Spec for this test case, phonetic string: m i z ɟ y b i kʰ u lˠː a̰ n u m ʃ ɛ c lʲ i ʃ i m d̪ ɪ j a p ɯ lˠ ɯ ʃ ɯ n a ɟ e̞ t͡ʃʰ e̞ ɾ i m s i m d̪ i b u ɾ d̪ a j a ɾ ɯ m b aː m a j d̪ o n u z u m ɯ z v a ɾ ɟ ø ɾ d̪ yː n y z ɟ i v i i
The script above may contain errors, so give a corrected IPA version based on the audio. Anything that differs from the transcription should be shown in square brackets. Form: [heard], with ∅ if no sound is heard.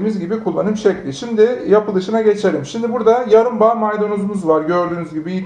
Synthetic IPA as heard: m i z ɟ [i] b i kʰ u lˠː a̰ n [ɯ] m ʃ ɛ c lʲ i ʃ i m d̪ ɪ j a p ɯ lˠ ɯ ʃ ɯ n a ɟ e̞ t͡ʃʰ e̞ ɾ i m [ʃ] i m d̪ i b u ɾ d̪ a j a ɾ ɯ m b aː m a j d̪ o n u z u m [u] z v a ɾ ɟ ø ɾ d̪ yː n y z ɟ i [b] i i